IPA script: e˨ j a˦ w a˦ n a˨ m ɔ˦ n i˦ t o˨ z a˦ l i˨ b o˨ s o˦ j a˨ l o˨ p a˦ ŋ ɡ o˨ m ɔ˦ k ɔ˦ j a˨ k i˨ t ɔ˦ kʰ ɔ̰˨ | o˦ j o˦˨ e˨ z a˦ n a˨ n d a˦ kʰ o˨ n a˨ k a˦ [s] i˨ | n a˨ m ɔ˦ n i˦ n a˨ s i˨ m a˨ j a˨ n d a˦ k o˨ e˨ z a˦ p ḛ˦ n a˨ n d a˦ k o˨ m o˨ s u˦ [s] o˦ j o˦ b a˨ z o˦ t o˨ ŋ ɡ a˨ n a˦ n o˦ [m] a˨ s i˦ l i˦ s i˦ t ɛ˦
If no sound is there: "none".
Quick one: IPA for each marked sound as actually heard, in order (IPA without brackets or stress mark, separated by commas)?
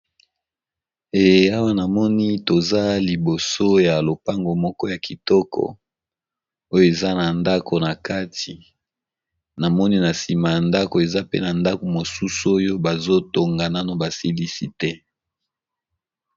t, s, b